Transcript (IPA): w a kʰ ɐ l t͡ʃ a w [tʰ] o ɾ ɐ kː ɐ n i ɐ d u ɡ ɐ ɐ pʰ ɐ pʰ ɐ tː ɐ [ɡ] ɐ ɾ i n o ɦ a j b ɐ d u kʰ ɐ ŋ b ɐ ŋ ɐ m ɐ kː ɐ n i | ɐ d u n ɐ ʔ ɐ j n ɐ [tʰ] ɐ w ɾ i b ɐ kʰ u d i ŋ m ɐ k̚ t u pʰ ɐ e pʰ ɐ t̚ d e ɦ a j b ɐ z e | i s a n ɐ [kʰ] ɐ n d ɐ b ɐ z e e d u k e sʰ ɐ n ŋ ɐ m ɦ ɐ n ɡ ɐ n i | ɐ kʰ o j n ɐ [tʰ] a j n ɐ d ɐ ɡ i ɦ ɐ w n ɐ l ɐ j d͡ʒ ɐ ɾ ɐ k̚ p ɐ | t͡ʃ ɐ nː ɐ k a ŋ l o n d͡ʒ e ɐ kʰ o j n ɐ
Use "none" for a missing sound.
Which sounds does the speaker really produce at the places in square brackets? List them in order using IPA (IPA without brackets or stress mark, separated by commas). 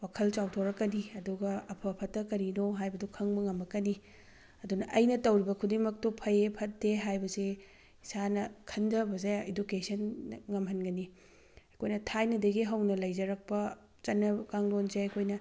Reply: tʰ, k, t, kʰ, tʰ